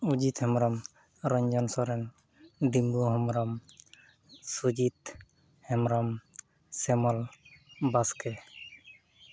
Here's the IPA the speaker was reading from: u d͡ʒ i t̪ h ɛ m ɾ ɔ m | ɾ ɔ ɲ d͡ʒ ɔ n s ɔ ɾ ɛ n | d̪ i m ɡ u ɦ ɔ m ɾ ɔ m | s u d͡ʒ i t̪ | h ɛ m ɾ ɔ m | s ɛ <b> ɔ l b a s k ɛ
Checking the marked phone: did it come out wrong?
yes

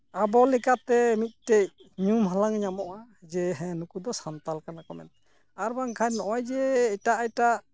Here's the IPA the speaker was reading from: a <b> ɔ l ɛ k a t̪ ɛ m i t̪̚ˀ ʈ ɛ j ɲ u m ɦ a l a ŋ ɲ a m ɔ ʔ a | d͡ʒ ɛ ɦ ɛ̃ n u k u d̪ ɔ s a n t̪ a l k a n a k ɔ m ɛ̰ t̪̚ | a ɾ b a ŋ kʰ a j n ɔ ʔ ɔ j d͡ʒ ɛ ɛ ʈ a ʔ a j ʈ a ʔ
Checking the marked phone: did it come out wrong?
no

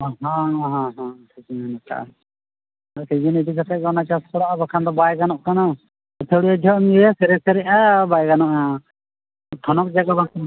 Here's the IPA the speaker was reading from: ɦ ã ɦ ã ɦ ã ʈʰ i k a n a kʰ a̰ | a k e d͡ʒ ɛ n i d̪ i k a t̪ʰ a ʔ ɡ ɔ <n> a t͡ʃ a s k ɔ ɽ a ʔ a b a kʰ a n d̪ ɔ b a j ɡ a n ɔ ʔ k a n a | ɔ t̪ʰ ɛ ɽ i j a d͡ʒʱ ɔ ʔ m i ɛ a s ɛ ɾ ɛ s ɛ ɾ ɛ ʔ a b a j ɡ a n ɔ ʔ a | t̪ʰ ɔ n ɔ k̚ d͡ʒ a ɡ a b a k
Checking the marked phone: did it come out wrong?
no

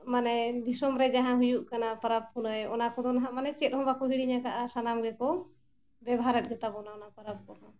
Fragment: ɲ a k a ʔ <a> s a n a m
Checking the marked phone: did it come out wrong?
no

